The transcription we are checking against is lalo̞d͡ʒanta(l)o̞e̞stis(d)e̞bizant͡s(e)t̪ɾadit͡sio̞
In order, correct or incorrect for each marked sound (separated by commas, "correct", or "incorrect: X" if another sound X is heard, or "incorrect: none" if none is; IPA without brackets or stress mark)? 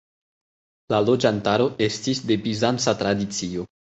incorrect: ɾ, correct, incorrect: a